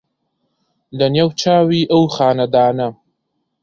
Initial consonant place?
alveolar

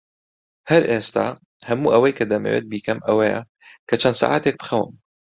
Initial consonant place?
glottal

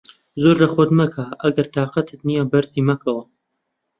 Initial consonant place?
alveolar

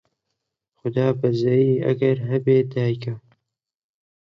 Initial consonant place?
velar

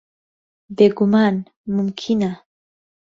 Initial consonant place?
labial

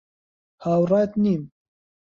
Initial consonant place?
glottal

